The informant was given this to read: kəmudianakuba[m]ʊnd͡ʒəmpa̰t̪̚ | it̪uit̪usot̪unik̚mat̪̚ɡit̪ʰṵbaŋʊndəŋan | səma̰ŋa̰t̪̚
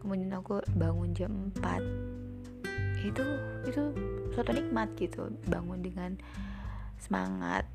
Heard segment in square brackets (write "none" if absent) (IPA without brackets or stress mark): ŋ